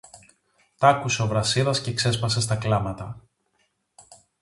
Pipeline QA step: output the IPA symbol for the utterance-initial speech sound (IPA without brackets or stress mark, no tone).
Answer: t̪